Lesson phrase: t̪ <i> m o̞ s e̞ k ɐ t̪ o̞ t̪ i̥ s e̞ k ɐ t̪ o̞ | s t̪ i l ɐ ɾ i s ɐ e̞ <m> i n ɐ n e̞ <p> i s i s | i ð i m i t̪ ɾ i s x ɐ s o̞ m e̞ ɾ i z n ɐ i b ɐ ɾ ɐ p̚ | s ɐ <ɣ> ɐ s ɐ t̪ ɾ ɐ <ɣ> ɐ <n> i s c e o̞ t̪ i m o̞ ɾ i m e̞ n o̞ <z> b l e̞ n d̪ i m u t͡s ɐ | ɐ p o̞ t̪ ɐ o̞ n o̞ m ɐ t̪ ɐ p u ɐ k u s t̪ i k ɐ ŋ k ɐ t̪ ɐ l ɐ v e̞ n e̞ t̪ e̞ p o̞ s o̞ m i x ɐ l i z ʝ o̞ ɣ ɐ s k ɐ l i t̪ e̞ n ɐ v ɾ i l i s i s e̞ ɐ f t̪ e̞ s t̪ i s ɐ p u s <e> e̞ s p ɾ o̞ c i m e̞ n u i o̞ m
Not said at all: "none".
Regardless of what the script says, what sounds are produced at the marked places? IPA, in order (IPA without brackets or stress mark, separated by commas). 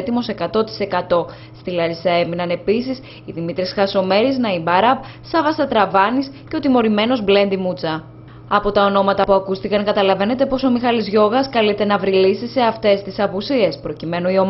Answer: i, m, p, v, v, n, z, i